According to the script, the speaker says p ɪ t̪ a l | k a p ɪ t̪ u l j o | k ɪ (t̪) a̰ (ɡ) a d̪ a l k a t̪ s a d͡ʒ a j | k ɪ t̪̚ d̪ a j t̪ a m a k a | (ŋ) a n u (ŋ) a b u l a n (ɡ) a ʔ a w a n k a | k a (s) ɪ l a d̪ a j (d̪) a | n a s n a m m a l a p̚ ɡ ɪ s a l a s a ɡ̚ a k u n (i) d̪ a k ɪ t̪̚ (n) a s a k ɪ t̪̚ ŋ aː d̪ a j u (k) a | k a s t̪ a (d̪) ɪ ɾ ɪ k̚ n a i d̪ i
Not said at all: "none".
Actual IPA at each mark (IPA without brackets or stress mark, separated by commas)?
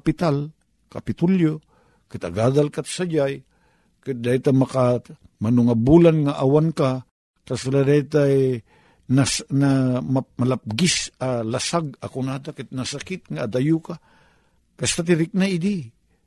t̪, ɡ, m, ŋ, ŋ, s, t̪, a, n, k, t̪